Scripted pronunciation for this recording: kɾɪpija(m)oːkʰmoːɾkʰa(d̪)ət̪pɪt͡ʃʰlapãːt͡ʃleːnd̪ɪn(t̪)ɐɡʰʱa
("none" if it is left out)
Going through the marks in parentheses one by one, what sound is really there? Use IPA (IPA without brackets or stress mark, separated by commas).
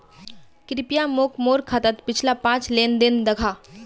m, t̪, d̪